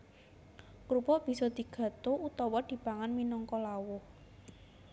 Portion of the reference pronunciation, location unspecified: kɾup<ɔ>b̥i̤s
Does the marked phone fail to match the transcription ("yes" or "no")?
no